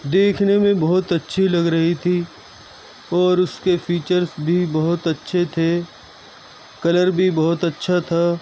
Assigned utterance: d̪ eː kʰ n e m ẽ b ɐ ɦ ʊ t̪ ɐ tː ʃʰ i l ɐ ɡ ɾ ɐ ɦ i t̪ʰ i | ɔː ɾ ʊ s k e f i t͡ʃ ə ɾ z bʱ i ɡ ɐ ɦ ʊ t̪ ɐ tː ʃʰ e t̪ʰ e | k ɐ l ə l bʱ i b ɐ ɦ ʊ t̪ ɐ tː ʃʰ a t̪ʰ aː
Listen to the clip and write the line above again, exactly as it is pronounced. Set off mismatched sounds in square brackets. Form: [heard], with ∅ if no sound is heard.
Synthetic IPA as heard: d̪ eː kʰ n e m ẽ b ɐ ɦ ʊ t̪ ɐ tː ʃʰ i l ɐ ɡ ɾ ɐ ɦ i t̪ʰ i | ɔː ɾ ʊ s k e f [iː] t͡ʃ ə ɾ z bʱ i [b] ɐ ɦ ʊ t̪ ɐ tː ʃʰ e t̪ʰ e | k ɐ l ə [ɾ] bʱ i b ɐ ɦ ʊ t̪ ɐ tː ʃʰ a t̪ʰ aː